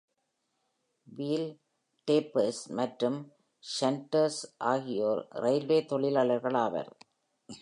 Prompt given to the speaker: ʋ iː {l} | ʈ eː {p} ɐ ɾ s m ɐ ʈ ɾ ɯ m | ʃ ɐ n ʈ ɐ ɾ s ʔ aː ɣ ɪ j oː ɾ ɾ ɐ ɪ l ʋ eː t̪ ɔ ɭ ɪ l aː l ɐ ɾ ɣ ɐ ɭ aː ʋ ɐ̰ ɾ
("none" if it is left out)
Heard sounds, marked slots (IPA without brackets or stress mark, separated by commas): l, p